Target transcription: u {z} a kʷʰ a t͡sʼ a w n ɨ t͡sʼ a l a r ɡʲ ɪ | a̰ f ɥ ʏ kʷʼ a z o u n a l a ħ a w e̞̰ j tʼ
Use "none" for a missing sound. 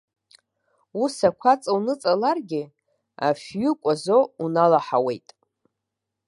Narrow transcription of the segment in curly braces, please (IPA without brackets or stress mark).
s